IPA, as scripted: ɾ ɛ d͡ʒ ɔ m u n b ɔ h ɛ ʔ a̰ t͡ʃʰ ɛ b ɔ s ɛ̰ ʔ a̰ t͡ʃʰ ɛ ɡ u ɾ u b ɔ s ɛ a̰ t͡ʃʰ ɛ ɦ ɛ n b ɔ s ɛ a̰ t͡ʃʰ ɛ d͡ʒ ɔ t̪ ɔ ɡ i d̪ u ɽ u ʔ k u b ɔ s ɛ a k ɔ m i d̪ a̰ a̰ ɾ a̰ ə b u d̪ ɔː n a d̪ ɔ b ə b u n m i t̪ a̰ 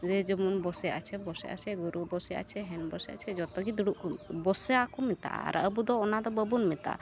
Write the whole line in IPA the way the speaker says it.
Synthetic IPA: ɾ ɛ d͡ʒ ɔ m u n b ɔ s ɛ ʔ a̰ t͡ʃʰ ɛ b ɔ s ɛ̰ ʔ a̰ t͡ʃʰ ɛ ɡ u ɾ u b ɔ s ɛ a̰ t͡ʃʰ ɛ ɦ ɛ n b ɔ s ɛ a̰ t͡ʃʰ ɛ d͡ʒ ɔ t̪ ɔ ɡ i d̪ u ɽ u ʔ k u b ɔ s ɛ a k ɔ m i t̪ a̰ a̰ ɾ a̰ ə b u d̪ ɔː n a d̪ ɔ b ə b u n m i t̪ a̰

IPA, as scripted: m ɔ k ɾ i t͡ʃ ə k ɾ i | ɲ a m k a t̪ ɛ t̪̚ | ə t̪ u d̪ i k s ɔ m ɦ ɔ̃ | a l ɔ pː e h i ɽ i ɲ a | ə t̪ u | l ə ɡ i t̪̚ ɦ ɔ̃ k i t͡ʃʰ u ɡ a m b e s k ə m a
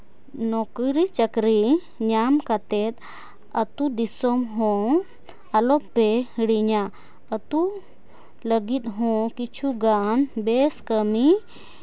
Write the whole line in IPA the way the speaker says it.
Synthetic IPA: n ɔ k ɾ i t͡ʃ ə k ɾ i | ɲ a m k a t̪ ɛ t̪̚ | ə t̪ u d̪ i s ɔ m ɦ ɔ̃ | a l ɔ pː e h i ɽ i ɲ a | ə t̪ u | l ə ɡ i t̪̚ ɦ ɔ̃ k i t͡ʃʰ u ɡ a n b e s k ə m i

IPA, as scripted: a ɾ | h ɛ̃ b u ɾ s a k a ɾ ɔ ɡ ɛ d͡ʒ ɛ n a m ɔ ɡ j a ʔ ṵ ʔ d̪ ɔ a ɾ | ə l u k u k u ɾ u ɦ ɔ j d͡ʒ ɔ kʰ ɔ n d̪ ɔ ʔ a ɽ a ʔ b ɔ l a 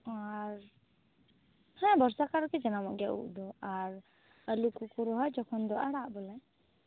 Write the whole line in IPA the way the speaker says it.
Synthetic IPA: a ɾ | h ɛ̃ b ɔ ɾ s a k a ɾ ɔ k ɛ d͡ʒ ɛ n a m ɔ ɡ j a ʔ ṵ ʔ d̪ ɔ a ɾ | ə l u k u k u ɾ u ɦ ɔ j d͡ʒ ɔ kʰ ɔ n d̪ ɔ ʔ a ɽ a ʔ b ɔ l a

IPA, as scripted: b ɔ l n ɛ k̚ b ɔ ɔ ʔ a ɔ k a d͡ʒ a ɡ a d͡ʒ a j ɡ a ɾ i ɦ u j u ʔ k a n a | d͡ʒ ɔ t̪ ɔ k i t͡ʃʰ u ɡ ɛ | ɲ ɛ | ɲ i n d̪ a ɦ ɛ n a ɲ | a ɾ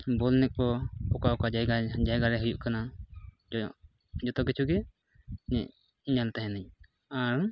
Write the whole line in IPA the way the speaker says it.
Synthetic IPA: b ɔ l n ɛ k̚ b ɔ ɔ k a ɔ k a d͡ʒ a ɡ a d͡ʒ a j ɡ a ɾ ɛ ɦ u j u ʔ k a n a | d͡ʒ ɔ t̪ ɔ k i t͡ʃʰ u ɡ ɛ | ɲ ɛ | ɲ a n t̪ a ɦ ɛ n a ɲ | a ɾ

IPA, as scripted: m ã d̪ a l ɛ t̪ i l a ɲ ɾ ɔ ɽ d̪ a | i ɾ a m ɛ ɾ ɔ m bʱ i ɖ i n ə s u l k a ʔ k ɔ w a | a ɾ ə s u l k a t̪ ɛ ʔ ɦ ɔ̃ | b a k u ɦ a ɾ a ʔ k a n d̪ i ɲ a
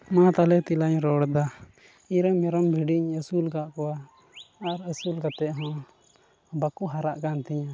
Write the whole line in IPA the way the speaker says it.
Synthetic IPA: m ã t̪ a l ɛ t̪ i l a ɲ ɾ ɔ ɽ d̪ a | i ɾ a m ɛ ɾ ɔ m bʱ i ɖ i ɲ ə s u l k a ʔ k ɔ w a | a ɾ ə s u l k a t̪ ɛ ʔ ɦ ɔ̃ | b a k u ɦ a ɾ a ʔ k a n t̪ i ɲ a

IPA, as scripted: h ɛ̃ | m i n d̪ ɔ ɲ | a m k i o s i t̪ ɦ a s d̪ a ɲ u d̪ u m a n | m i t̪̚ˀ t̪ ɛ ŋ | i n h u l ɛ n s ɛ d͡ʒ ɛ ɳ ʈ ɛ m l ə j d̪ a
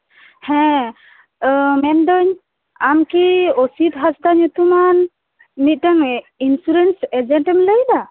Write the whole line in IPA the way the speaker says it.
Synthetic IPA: h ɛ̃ | m ɛ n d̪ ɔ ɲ | a m k i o s i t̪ ɦ a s d̪ a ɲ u t̪ u m a n | m i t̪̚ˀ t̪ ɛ ŋ | i n s u ɾ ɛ n s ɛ d͡ʒ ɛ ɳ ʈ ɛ m l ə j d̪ a

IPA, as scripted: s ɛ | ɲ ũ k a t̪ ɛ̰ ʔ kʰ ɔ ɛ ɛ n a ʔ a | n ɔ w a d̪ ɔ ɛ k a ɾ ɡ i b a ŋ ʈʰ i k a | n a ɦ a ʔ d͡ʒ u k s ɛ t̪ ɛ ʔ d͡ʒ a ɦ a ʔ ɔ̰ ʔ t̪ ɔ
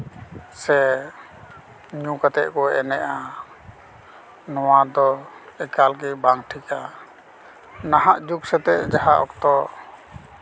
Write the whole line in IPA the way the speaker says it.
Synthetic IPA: s ɛ | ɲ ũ k a t̪ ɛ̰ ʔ k ɔ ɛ ɛ n ɛ ʔ a | n ɔ w a d̪ ɔ ɛ k a l ɡ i b a ŋ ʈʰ i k a | n a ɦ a ʔ d͡ʒ u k s ɛ t̪ ɛ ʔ d͡ʒ a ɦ a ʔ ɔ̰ k t̪ ɔ

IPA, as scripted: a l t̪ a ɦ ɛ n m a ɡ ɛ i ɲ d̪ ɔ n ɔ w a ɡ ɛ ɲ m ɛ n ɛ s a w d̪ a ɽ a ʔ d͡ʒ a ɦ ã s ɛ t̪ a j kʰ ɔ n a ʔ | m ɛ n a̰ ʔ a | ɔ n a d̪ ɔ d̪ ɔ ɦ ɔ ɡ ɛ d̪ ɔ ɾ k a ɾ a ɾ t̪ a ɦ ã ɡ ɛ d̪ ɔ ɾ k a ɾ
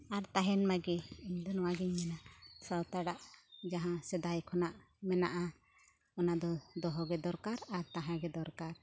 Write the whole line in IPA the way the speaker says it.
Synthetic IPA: a ɾ t̪ a ɦ ɛ n m a ɡ ɛ i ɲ d̪ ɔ n ɔ w a ɡ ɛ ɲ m ɛ n a s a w t̪ a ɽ a ʔ d͡ʒ a ɦ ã s ɛ d̪ a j kʰ ɔ n a ʔ | m ɛ n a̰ ʔ a | ɔ n a d̪ ɔ d̪ ɔ ɦ ɔ ɡ ɛ d̪ ɔ ɾ k a ɾ a ɾ t̪ a ɦ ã ɡ ɛ d̪ ɔ ɾ k a ɾ

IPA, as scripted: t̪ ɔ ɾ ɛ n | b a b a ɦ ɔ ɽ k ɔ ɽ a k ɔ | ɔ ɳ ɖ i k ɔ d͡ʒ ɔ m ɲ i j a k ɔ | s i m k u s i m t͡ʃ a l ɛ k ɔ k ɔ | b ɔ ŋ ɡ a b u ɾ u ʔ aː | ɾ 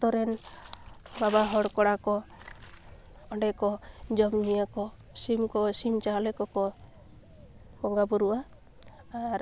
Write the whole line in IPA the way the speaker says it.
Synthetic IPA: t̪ ɔ ɾ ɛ n | b a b a ɦ ɔ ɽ k ɔ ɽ a k ɔ | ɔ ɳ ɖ ɛ k ɔ d͡ʒ ɔ m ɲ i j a k ɔ | s i m k ɔ s i m t͡ʃ a l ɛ k ɔ k ɔ | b ɔ ŋ ɡ a b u ɾ u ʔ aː | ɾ

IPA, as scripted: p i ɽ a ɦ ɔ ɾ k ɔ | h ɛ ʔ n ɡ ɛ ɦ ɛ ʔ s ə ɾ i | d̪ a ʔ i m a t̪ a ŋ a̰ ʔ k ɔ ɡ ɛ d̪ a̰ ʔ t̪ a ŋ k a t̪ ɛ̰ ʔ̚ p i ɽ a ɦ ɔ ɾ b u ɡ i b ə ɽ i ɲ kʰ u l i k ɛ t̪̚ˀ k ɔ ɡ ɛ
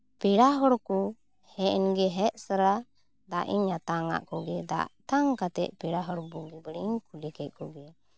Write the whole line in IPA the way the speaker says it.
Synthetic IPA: p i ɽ a ɦ ɔ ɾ k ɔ | h ɛ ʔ n ɡ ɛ ɦ ɛ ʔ s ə ɾ a | d̪ a ʔ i ɲ a t̪ a ŋ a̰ ʔ k ɔ ɡ ɛ d̪ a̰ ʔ t̪ a ŋ k a t̪ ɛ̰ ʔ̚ p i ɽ a ɦ ɔ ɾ b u ɡ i b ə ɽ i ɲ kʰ u l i k ɛ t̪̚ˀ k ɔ ɡ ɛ

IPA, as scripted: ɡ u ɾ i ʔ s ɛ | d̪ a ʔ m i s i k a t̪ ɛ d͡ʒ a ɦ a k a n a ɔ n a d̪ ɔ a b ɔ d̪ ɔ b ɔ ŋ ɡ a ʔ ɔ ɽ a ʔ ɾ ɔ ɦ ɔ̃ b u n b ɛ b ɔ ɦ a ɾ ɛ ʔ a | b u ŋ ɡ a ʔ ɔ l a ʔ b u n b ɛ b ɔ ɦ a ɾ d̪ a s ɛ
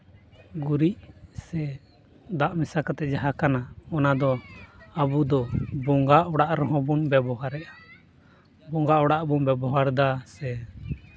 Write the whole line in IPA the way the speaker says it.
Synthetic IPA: ɡ u ɾ i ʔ s ɛ | d̪ a ʔ m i s a k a t̪ ɛ d͡ʒ a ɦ a k a n a ɔ n a d̪ ɔ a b u d̪ ɔ b ɔ ŋ ɡ a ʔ ɔ ɽ a ʔ ɾ ɔ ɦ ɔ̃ b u n b ɛ b ɔ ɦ a ɾ ɛ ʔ a | b ɔ ŋ ɡ a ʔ ɔ ɽ a ʔ b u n b ɛ b ɔ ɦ a ɾ d̪ a s ɛ

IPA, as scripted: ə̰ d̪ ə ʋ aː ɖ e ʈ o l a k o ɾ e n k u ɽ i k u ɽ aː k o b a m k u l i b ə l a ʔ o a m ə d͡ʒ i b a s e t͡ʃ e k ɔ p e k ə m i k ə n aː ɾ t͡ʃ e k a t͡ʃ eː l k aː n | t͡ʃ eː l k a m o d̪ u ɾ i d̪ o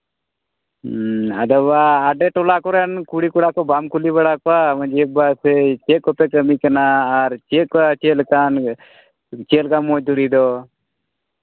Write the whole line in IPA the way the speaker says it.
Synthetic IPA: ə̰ d̪ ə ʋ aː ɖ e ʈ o l a k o ɾ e n k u ɽ i k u ɽ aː k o b a m k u l i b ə ɽ a k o a m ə d͡ʒ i b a s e t͡ʃ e k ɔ p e k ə m i k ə n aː ɾ t͡ʃ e k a t͡ʃ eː l k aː n | t͡ʃ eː l k a m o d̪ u ɾ i d̪ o

